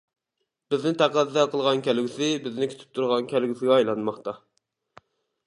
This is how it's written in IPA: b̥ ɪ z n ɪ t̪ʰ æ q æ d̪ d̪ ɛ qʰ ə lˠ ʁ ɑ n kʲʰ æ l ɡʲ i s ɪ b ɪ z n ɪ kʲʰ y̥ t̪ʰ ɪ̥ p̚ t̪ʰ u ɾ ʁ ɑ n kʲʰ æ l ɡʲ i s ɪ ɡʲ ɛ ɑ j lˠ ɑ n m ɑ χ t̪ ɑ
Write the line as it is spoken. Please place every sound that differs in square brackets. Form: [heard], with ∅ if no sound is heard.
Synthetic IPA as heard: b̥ ɪ z n ɪ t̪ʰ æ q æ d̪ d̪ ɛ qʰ ə lˠ ʁ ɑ n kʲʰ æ l ɡʲ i s ɪ b ɪ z n ɪ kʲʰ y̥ t̪ʰ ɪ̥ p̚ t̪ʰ u ɾ ʁ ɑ n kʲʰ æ l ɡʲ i s ɪ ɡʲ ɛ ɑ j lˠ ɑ n m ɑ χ t̪ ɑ